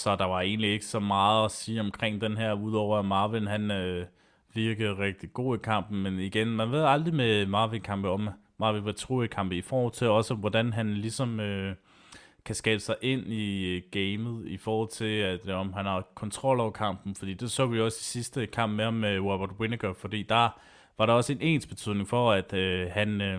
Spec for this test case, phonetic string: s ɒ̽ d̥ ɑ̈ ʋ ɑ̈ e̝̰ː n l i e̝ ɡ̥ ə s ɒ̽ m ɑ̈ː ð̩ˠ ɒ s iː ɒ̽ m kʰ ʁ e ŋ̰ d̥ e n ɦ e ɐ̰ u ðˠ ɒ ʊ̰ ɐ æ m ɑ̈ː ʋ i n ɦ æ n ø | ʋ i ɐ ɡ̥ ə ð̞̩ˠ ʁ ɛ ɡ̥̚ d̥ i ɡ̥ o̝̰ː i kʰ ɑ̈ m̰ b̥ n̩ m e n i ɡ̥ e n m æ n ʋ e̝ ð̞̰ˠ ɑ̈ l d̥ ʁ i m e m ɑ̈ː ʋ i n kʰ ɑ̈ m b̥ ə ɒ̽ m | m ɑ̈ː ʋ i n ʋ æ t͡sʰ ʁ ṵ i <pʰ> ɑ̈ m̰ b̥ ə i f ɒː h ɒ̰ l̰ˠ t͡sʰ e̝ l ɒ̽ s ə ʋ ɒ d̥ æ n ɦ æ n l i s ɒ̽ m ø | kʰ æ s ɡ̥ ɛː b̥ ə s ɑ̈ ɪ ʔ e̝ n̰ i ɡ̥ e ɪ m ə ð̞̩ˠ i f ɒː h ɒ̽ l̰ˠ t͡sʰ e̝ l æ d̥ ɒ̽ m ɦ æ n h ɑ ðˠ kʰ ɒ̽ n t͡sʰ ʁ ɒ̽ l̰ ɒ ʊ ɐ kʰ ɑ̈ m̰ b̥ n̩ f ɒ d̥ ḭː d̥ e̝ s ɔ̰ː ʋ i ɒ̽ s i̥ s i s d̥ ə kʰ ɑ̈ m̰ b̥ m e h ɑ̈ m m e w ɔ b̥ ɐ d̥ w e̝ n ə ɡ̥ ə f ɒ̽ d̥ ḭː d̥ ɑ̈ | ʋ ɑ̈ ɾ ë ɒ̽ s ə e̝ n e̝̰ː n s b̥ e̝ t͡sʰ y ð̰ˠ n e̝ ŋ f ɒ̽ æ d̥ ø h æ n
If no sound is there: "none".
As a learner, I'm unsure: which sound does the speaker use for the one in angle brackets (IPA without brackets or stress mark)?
kʰ